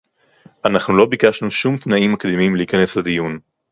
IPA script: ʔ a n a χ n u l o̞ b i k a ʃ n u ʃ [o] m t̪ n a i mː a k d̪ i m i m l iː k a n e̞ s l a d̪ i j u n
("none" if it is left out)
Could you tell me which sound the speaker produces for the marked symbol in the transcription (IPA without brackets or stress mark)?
u